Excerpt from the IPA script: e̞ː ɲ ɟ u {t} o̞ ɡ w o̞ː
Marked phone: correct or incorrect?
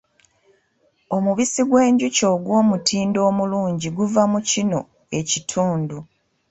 incorrect